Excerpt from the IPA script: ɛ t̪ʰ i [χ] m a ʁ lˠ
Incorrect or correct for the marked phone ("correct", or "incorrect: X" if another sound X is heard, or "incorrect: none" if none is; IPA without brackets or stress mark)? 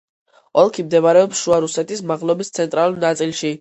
incorrect: s